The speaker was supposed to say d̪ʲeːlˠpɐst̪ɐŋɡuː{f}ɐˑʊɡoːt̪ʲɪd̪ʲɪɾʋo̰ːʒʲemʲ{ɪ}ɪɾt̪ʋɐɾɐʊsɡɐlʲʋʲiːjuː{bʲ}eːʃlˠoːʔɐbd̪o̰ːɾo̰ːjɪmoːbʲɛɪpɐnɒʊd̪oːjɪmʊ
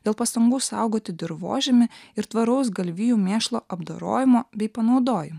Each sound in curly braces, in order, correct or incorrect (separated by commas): incorrect, correct, incorrect